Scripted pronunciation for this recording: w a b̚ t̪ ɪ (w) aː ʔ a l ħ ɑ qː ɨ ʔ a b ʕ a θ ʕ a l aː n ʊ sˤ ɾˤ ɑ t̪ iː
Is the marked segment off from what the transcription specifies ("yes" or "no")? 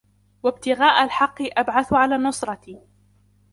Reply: yes